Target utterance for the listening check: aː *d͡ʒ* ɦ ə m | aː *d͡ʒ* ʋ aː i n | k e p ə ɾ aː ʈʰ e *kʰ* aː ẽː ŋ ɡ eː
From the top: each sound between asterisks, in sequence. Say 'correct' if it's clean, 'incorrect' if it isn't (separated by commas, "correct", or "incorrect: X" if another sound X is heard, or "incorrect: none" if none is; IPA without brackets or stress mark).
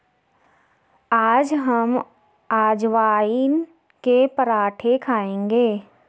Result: correct, correct, correct